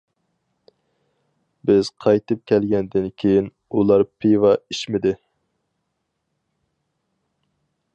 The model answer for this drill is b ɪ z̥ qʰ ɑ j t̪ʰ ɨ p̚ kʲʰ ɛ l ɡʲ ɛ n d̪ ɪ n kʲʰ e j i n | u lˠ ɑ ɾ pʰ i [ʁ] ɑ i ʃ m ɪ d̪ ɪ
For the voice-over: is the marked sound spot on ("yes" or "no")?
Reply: no